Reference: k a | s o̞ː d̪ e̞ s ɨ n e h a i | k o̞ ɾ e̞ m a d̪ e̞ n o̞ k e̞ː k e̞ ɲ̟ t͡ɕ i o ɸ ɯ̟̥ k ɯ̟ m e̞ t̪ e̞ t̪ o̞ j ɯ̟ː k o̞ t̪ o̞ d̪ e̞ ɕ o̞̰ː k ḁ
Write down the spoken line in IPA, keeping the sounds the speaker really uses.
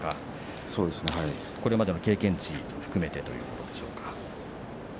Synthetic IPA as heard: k a | s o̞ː d̪ e̞ s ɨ n e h a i | k o̞ ɾ e̞ m a d̪ e̞ n o̞ k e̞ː k ẽ̞ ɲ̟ t͡ɕ i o ɸ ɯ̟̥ k ɯ̟ m e̞ t̪ e̞ t̪ o̞ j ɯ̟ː k o̞ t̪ o̞ d̪ e̞ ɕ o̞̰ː k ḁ